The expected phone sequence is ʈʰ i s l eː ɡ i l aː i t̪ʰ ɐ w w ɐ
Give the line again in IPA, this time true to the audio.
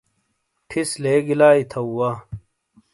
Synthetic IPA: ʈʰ i s l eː ɡ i l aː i t̪ʰ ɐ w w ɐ